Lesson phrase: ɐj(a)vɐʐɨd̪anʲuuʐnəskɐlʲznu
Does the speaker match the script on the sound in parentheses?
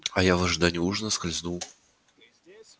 yes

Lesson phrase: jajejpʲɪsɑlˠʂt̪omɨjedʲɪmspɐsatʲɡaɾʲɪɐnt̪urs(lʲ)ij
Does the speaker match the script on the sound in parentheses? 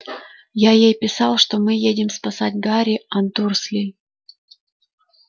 yes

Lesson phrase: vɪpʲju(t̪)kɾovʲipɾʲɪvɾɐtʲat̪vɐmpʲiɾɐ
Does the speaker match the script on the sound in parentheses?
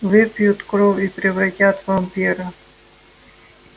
yes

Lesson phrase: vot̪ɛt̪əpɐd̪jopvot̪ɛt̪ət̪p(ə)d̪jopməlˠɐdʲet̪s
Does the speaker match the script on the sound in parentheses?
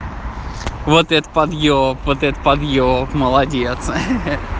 no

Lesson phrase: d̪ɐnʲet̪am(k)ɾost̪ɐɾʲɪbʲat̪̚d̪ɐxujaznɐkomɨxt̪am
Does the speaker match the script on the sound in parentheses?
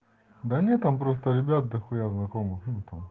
no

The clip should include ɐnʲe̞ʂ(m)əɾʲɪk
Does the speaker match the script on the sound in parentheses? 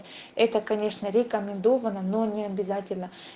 no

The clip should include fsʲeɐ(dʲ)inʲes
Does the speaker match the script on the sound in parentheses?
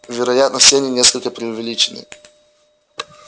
no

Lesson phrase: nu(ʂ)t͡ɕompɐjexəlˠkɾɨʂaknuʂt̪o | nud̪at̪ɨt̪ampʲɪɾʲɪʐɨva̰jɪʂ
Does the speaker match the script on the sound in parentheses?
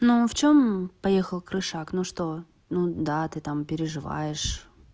no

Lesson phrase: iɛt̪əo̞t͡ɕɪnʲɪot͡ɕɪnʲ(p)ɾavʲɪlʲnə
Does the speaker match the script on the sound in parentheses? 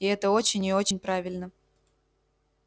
yes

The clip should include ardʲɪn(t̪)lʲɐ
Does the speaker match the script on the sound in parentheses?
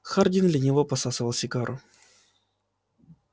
no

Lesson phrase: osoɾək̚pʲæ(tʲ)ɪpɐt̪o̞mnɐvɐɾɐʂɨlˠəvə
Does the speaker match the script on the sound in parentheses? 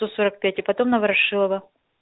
yes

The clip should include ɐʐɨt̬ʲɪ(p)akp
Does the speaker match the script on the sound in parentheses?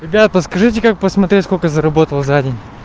no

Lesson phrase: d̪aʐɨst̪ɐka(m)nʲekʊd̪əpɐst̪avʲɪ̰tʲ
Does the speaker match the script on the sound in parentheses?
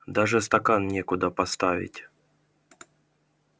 no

